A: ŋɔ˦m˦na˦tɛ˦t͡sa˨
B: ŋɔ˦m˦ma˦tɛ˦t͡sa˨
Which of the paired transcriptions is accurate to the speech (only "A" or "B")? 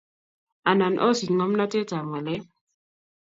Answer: A